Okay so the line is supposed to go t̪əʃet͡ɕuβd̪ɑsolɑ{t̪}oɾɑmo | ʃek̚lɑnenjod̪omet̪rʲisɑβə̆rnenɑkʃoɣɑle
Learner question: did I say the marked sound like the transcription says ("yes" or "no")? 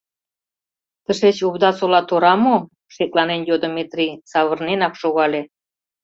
yes